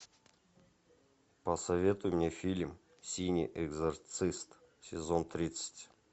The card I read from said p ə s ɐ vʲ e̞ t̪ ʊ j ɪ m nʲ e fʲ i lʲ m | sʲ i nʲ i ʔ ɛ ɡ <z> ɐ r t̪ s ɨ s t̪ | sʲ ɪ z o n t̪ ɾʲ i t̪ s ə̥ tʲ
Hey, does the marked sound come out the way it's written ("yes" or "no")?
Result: yes